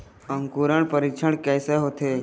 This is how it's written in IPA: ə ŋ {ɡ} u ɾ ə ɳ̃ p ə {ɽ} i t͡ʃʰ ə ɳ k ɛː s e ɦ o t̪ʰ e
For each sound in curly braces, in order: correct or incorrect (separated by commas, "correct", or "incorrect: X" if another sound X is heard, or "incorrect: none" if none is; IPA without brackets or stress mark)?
incorrect: k, incorrect: ɾ